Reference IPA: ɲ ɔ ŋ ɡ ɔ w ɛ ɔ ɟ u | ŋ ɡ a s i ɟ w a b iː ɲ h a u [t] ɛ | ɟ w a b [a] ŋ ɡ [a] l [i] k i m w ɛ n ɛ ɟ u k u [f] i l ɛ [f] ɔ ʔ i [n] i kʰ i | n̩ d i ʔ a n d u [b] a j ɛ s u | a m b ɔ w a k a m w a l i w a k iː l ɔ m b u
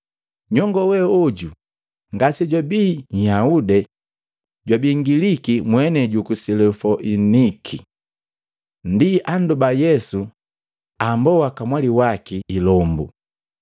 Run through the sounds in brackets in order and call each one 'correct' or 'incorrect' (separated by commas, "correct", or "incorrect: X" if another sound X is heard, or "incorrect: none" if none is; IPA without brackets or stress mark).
incorrect: d, incorrect: i, incorrect: i, correct, incorrect: s, correct, correct, correct